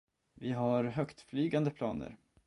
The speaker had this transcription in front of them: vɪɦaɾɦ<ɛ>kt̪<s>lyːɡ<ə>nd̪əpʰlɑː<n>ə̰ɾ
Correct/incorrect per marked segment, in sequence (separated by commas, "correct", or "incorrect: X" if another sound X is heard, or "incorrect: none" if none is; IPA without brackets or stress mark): incorrect: œ, incorrect: f, incorrect: a, correct